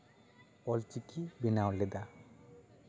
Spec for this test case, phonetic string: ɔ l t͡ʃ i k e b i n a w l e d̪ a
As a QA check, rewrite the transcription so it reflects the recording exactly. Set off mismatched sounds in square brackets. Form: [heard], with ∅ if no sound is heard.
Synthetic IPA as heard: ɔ l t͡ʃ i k [i] b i n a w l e d̪ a